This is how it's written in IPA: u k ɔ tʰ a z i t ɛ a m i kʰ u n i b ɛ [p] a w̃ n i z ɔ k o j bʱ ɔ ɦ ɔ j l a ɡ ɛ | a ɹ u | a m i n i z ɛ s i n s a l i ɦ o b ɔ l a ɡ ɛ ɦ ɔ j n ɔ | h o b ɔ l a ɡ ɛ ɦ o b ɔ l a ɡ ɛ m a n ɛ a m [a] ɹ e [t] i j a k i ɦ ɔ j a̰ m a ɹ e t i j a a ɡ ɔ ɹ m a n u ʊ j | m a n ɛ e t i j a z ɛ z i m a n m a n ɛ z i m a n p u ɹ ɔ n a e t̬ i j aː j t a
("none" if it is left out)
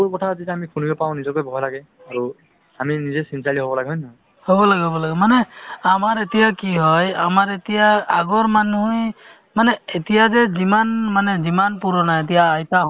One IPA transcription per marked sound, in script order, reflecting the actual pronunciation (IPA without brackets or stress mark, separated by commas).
p, a, t